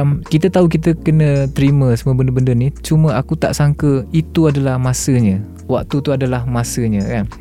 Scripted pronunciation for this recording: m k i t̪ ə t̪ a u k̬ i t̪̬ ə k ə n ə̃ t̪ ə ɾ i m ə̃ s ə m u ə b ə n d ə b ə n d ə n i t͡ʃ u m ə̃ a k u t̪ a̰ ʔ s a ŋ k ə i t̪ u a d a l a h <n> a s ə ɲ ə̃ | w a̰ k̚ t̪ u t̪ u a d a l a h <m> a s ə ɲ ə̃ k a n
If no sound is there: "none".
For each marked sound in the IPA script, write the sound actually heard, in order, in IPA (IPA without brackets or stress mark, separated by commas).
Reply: m, m